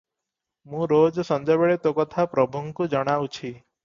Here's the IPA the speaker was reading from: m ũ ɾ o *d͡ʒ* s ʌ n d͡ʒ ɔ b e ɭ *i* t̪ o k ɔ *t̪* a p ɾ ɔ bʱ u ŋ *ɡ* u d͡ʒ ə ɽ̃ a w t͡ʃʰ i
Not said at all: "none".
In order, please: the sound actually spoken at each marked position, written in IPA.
d͡ʒ, e, t̪ʰ, k

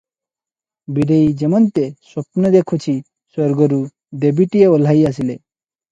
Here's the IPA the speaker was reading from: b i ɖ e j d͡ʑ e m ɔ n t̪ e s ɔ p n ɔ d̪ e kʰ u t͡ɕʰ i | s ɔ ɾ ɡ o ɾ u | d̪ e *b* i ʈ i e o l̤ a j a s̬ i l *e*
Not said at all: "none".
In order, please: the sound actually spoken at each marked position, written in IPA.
b, e

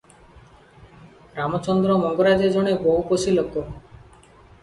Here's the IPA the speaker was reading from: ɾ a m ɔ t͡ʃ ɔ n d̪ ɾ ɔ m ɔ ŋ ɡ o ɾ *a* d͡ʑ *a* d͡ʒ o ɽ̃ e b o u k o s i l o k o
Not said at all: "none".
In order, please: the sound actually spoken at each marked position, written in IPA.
a, e

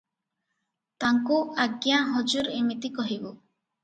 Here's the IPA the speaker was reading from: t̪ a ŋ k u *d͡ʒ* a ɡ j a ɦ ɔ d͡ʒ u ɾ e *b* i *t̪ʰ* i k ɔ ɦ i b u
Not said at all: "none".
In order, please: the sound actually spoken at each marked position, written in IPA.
none, m, t̪

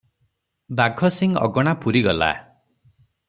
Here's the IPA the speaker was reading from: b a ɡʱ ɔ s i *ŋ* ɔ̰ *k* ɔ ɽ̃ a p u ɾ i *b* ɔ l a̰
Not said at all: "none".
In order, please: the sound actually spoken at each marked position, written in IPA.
ŋ, ɡ, ɡ

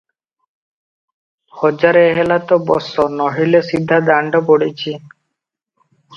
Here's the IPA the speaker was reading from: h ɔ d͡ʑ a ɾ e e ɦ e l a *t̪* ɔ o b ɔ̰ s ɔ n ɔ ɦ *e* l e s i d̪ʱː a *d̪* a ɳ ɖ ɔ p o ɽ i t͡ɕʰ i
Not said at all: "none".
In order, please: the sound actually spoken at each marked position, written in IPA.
t̪, i, d̪

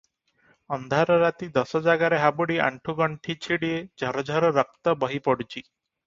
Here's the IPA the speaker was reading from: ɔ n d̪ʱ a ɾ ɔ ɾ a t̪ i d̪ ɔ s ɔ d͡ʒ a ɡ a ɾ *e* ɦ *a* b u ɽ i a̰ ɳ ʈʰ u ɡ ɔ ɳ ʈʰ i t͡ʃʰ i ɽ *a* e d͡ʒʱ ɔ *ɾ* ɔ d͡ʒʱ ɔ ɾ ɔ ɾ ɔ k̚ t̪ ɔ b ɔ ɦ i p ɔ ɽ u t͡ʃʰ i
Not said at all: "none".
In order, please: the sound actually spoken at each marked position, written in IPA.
e, a, i, ɾ

